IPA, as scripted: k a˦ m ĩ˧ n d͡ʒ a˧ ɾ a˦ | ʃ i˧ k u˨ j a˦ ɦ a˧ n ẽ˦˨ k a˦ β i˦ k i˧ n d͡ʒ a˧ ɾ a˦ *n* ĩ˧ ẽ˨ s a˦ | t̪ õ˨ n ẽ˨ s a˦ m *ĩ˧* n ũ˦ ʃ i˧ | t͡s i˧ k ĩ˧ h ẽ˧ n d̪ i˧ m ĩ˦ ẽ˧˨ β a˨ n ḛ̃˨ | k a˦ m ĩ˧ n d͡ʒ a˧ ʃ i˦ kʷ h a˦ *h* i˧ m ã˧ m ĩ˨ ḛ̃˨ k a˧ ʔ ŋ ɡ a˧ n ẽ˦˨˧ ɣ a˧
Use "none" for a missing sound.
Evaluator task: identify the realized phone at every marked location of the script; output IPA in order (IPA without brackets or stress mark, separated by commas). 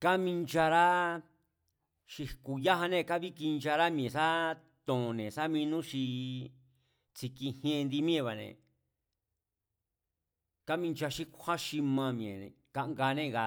m, ĩ˧, ʃ